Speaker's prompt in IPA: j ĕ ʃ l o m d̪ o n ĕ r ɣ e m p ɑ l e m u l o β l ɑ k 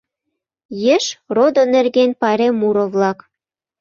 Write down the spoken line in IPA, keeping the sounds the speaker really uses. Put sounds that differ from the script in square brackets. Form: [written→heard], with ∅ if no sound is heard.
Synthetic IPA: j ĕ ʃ [l→r] o [m→∅] d̪ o n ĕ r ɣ e [m→n] p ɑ [l→ɾ] e m u [l→ɾ] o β l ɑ k